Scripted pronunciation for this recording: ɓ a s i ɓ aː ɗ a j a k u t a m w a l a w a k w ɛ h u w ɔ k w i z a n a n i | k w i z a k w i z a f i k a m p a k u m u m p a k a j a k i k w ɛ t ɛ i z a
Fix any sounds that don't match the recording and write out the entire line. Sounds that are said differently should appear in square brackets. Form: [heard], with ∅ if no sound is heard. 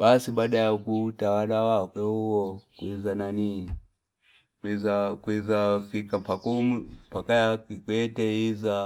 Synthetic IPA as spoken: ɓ a s i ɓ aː ɗ a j a k u t a [∅] w a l a w a k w ɛ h u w ɔ k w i z a n a n i | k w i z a k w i z a f i k a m p a k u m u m p a k a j a k i k w ɛ t ɛ i z a